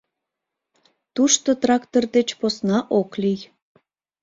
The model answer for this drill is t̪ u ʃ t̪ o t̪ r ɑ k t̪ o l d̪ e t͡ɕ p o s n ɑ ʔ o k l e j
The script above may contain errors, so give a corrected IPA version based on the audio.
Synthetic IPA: t̪ u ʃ t̪ o t̪ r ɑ k t̪ o r d̪ e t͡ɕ p o s n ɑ ʔ o k l i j